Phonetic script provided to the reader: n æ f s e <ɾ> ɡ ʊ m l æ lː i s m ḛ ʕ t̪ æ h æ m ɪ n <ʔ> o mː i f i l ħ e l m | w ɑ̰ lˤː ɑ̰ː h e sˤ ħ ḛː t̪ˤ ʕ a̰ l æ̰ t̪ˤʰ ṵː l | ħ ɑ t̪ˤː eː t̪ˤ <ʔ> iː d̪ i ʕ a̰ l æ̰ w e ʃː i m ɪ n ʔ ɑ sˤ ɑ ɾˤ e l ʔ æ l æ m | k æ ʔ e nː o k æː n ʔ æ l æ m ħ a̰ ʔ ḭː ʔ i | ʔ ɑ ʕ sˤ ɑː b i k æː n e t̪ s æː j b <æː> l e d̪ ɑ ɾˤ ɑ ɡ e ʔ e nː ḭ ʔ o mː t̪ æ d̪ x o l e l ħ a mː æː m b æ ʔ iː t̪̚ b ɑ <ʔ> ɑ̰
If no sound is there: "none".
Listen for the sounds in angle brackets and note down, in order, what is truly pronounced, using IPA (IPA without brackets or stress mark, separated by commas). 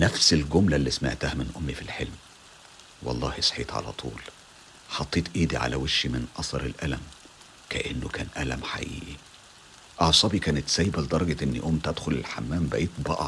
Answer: l, ʔ, ʔ, æ, ʔ